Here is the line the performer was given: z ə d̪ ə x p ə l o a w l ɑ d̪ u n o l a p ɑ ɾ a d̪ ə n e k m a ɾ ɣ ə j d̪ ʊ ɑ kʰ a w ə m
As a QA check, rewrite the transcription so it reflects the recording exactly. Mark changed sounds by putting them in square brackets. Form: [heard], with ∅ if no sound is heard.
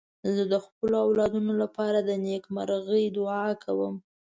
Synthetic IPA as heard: z ə d̪ ə x p ə l o a w l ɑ d̪ u n o l a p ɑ ɾ a d̪ ə n e k m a ɾ ɣ ə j d̪ ʊ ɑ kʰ a w ə m